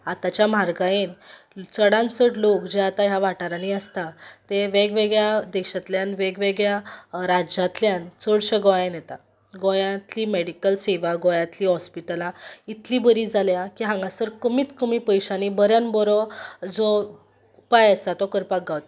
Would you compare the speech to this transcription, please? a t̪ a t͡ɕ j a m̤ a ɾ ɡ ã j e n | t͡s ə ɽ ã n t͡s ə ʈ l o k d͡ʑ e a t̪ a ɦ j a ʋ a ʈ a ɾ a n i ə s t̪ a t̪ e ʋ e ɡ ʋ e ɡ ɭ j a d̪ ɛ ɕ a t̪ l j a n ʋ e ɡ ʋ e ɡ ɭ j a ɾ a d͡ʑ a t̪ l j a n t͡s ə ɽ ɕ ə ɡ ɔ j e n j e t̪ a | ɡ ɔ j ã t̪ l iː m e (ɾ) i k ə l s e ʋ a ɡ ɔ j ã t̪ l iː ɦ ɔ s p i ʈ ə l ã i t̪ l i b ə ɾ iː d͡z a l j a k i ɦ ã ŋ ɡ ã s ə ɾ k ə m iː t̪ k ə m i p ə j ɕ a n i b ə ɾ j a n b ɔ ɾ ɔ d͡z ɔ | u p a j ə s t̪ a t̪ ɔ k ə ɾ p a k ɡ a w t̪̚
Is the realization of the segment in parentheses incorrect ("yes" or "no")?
yes